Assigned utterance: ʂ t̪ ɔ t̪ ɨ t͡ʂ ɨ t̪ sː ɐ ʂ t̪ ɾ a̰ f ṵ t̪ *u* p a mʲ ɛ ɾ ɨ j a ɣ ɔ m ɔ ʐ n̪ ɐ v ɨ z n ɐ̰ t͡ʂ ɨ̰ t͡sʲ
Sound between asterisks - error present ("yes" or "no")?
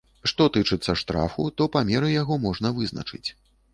yes